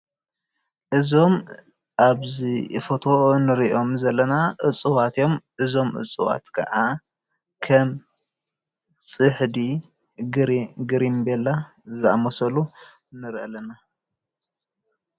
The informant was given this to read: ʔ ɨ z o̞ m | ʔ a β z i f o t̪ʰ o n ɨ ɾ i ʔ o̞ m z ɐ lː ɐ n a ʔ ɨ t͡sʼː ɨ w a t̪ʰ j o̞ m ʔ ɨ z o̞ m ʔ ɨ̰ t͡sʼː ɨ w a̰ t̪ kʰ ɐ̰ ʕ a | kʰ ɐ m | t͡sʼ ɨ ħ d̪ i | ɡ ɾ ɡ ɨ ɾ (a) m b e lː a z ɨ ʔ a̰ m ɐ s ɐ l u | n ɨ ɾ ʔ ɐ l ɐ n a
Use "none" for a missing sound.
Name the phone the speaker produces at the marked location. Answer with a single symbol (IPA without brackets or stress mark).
i